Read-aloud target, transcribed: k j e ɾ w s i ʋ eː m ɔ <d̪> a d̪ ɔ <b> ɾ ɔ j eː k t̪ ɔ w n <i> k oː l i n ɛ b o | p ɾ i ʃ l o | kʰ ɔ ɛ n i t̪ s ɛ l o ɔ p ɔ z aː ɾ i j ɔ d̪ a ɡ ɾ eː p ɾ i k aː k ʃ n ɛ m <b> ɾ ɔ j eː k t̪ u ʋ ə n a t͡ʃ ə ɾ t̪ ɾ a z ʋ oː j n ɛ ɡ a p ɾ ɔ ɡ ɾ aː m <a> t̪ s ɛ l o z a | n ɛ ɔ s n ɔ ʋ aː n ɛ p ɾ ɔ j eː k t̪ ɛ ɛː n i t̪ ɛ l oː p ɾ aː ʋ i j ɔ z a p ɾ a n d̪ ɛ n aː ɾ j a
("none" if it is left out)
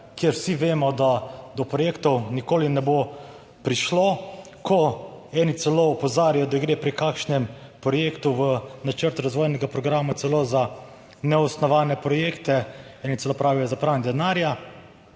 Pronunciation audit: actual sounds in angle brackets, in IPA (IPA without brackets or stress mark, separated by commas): d̪, p, i, p, a